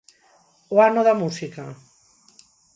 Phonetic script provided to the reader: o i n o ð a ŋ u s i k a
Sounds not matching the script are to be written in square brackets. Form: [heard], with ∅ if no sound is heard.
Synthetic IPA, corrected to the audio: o [a] n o ð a [m] u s i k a